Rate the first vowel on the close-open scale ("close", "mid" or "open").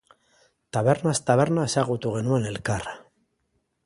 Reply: open